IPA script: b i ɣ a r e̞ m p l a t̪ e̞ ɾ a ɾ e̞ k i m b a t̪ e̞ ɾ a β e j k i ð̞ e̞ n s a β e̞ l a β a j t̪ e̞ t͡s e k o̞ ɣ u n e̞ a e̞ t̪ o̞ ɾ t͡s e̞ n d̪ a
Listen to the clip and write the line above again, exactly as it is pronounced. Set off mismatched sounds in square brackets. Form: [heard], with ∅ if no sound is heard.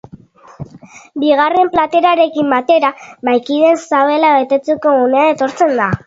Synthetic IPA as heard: b i ɣ a r e̞ m p l a t̪ e̞ ɾ a ɾ e̞ k i m b a t̪ e̞ ɾ a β [a] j k i ð̞ e̞ n s a β e̞ l a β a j t̪ e̞ t͡s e k o̞ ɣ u n e̞ a e̞ t̪ o̞ ɾ t͡s e̞ n d̪ a